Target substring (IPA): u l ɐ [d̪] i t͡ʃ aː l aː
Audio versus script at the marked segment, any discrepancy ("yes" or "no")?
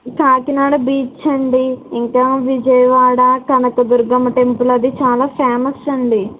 no